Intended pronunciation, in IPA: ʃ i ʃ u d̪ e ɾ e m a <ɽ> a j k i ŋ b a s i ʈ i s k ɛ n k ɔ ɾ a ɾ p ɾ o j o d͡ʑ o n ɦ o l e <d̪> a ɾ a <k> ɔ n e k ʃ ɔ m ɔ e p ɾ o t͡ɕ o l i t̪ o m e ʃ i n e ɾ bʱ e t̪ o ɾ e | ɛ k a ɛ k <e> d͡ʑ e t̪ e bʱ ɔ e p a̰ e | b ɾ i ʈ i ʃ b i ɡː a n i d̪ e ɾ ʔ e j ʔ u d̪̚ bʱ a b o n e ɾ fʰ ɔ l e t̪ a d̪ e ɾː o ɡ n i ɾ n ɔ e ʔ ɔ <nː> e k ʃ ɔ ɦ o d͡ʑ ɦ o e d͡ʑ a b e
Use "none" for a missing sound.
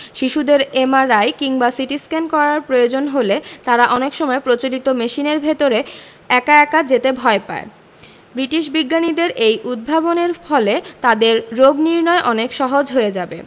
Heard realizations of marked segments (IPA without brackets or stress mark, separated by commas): ɾ, t̪, ʔ, a, n